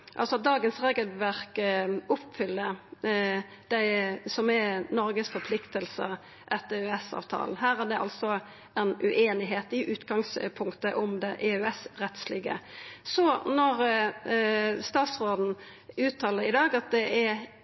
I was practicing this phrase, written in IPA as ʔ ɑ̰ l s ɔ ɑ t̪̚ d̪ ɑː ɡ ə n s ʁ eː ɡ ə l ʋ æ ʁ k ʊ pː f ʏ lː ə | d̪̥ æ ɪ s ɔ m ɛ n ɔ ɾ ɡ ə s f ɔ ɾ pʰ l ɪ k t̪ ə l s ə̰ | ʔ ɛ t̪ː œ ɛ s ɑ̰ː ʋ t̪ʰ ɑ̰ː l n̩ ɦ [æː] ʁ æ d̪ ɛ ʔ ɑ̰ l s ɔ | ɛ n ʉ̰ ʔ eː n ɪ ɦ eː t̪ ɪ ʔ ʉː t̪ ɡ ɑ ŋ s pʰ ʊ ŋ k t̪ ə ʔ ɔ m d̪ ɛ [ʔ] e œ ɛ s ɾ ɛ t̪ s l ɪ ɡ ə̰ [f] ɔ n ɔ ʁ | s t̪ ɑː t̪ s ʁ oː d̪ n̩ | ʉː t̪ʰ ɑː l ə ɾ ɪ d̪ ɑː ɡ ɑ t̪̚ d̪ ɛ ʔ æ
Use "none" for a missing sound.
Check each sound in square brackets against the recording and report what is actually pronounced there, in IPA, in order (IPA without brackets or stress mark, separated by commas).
æː, ʔ, s